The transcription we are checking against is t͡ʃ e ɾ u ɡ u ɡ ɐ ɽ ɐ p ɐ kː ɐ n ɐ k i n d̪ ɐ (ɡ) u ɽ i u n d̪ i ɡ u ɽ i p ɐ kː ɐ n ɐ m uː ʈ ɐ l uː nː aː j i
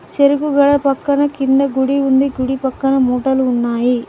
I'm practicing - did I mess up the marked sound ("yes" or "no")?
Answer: no